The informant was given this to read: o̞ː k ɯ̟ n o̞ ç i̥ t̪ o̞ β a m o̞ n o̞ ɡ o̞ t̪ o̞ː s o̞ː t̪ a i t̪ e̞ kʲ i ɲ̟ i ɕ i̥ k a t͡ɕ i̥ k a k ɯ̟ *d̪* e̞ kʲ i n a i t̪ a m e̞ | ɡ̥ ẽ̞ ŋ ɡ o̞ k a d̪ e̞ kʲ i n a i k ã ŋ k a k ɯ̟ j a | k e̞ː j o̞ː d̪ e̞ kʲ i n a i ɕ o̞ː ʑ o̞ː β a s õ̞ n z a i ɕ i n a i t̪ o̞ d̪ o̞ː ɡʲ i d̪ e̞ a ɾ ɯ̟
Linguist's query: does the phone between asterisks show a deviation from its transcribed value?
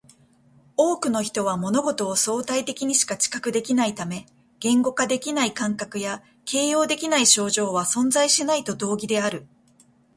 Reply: no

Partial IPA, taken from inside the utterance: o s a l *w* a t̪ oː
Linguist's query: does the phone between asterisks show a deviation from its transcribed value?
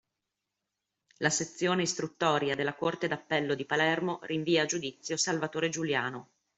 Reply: yes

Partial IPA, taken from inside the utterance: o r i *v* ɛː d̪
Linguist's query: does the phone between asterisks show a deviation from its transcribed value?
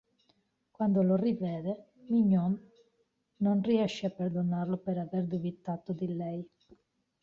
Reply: no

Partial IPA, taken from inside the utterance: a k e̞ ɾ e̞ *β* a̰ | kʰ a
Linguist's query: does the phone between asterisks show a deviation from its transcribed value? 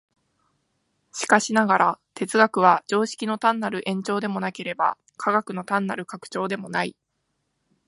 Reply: yes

